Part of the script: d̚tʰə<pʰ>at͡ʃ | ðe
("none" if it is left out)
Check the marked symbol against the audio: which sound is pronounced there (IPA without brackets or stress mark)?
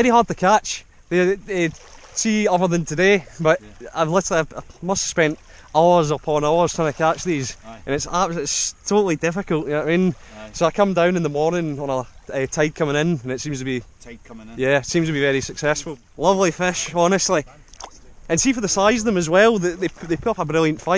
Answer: kʰ